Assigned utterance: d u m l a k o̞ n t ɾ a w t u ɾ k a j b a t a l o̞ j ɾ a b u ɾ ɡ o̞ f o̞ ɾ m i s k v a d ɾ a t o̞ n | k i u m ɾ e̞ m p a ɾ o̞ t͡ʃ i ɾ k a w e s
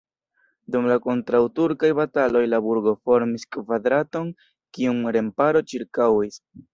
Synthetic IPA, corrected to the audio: d u m l a k o̞ n t ɾ a w t u ɾ k a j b a t a l o̞ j l a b u ɾ ɡ o̞ f o̞ ɾ m i s k v a d ɾ a t o̞ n | k i u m ɾ e̞ m p a ɾ o̞ t͡ʃ i ɾ k a w i s